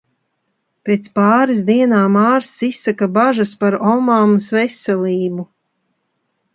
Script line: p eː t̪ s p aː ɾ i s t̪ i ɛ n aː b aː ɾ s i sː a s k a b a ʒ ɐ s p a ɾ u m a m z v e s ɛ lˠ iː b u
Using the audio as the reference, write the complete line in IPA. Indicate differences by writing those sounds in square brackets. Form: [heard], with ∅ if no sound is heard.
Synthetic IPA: p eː t̪ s p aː ɾ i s [d̪] i ɛ n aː [m] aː ɾ s i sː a [∅] k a b a ʒ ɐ s p a ɾ [ɔ] m a m [s] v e s ɛ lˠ iː b u

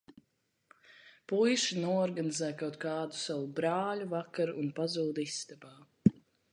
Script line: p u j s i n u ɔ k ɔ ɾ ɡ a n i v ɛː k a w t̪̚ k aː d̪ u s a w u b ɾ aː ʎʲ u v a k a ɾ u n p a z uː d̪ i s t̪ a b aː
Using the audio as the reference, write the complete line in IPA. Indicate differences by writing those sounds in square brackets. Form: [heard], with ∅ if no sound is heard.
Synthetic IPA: p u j [ʃ] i n u ɔ [∅] ɔ ɾ ɡ a n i [z] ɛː k a w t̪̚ k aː d̪ u s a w u b ɾ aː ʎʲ u v a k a ɾ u n p a z uː d̪ i s t̪ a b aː

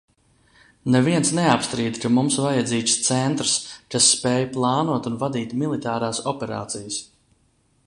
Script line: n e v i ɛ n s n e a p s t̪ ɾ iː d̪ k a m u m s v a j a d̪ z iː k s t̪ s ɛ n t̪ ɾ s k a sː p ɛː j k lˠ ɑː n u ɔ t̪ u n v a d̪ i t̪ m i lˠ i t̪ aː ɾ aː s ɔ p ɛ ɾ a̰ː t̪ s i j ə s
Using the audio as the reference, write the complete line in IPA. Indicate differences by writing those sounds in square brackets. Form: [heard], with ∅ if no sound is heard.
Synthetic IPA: n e v i ɛ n s n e a p s t̪ ɾ iː d̪ k a m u m s v a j a d̪ z iː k s t̪ s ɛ n t̪ ɾ s k a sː p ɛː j [p] lˠ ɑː n u ɔ t̪ u n v a d̪ [iː] t̪ m i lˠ i t̪ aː ɾ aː s ɔ p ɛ ɾ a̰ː t̪ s i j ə s

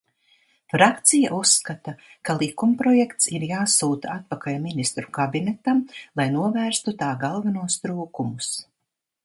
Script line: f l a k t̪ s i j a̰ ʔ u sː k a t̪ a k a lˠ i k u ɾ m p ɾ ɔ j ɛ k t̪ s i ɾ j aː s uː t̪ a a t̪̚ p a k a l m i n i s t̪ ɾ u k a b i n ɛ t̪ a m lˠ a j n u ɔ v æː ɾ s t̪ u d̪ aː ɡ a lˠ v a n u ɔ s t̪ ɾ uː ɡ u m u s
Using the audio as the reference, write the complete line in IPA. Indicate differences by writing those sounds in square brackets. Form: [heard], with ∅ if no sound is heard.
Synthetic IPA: f [ɾ] a k t̪ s i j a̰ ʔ u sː k a t̪ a k a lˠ i k u [∅] m p ɾ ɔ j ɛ k t̪ s i ɾ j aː s uː t̪ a a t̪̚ p a k a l m i n i s t̪ ɾ u k a b i n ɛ t̪ a m lˠ a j n u ɔ v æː ɾ s t̪ u [t̪] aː ɡ a lˠ v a n u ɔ s t̪ ɾ uː [k] u m u s

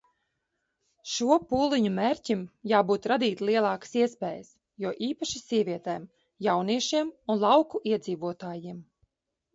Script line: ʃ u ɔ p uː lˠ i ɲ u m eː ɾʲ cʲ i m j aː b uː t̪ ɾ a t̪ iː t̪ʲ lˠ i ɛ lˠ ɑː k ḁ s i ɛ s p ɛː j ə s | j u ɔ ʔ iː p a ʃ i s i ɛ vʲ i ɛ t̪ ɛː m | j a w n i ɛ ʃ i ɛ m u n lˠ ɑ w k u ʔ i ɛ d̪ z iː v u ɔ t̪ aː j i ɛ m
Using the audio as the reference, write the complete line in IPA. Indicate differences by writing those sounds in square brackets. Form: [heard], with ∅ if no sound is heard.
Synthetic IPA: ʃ u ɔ p uː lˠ i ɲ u m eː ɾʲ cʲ i m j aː b uː t̪ ɾ a [d̪] iː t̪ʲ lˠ i ɛ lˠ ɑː k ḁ s i ɛ s p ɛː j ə s | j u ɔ ʔ iː p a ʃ i s i ɛ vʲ i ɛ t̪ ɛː m | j a w n i ɛ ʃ i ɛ m u n lˠ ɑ w k u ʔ i ɛ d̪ z iː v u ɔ t̪ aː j i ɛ m

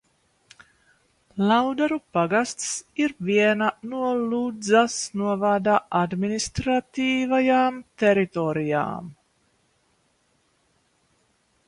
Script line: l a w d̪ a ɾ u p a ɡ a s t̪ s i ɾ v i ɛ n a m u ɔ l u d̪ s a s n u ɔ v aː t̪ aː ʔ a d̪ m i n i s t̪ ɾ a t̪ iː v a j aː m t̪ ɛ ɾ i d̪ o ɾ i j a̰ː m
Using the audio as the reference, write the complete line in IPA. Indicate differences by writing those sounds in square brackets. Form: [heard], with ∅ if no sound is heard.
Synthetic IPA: l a w d̪ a ɾ u p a ɡ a s t̪ s i ɾ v i ɛ n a [n] u ɔ l u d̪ [z] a s n u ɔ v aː [d̪] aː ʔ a d̪ m i n i s t̪ ɾ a t̪ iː v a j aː m t̪ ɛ ɾ i [t̪] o ɾ i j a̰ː m

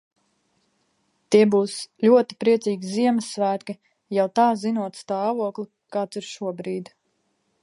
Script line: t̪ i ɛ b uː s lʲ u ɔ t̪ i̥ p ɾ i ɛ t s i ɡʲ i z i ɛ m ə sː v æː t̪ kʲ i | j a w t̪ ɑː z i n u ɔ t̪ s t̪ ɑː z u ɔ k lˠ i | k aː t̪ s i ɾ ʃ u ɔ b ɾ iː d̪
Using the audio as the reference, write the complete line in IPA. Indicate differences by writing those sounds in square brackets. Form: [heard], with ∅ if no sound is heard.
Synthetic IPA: t̪ i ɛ b uː s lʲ u ɔ t̪ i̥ p ɾ i ɛ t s [iː] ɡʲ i z i ɛ m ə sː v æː t̪ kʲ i | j a w t̪ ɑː z i n u ɔ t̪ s t̪ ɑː [v] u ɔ k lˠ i | k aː t̪ s i ɾ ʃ u ɔ b ɾ iː d̪

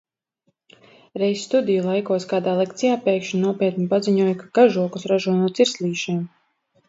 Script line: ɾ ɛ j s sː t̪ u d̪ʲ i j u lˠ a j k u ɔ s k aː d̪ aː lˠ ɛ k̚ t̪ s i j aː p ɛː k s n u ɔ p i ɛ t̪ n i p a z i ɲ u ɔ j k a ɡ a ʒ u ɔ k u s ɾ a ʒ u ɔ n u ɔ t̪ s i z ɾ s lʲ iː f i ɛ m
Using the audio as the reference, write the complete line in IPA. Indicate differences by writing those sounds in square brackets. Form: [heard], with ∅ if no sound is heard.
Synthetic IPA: ɾ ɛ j s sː t̪ u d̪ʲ i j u lˠ a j k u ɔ s k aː d̪ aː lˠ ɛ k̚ t̪ s i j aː p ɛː k [ʃ] n u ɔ p i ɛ t̪ n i p a z i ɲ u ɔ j k a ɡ a ʒ u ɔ k u s ɾ a ʒ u ɔ n u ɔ t̪ s i [∅] ɾ s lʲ iː [ʃ] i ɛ m

